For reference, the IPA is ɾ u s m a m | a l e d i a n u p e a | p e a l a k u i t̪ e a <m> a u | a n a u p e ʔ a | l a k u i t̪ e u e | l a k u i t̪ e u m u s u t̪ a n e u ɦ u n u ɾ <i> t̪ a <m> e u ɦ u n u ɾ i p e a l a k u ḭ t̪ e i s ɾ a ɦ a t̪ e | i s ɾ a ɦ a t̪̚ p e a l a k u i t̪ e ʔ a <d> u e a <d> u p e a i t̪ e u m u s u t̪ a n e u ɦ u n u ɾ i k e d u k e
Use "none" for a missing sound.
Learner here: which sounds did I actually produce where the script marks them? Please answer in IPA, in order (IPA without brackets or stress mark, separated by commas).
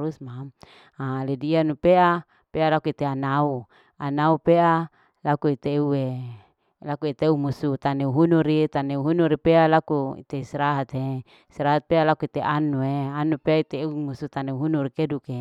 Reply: n, i, n, n, n